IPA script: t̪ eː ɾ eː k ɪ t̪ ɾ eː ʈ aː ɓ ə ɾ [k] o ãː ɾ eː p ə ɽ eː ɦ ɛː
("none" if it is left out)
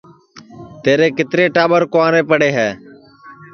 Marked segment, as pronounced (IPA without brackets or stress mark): k